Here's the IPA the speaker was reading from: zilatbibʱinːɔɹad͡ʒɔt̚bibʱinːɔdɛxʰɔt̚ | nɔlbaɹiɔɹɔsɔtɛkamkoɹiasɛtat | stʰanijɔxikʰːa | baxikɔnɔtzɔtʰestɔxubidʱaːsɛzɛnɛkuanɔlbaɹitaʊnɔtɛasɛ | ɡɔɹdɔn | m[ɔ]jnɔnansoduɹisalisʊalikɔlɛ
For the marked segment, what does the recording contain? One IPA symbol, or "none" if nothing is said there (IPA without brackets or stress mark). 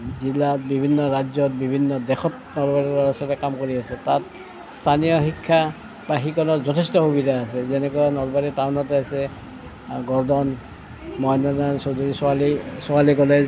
ɔ